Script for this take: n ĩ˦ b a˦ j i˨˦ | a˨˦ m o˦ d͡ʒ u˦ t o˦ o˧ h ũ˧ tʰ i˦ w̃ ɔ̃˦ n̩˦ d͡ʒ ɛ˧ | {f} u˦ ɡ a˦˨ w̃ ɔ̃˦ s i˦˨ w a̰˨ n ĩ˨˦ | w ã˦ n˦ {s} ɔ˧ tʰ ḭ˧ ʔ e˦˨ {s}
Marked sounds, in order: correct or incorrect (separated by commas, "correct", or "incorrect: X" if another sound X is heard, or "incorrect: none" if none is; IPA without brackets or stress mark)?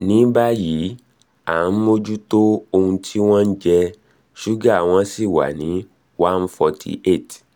incorrect: ʃ, incorrect: f, incorrect: t